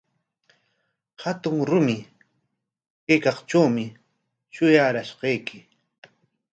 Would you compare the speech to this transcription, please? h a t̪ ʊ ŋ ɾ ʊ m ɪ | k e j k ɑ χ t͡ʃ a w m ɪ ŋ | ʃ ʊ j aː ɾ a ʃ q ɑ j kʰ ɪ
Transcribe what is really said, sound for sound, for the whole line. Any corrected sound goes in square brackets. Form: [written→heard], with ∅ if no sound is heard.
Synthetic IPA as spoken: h a t̪ ʊ ŋ ɾ ʊ m ɪ | k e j k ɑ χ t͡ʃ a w m ɪ [ŋ→∅] | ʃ ʊ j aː ɾ a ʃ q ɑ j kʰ ɪ